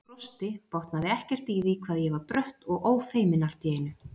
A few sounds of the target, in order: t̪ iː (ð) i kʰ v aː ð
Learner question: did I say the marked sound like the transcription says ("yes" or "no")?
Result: yes